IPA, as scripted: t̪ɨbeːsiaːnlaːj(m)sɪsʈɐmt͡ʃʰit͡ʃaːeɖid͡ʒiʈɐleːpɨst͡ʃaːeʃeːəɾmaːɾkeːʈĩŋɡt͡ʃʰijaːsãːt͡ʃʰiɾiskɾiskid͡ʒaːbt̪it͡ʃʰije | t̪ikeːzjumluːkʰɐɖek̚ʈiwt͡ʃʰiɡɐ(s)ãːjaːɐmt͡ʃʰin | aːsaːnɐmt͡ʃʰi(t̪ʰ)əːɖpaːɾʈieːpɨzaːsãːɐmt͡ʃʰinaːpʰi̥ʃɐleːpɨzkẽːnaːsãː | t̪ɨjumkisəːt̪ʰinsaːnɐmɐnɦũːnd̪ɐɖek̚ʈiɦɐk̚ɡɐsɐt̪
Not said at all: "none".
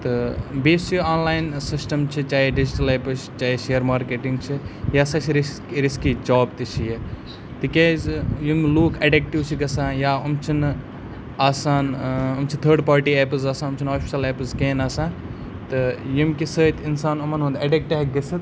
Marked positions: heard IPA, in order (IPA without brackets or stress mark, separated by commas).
n, s, t̪ʰ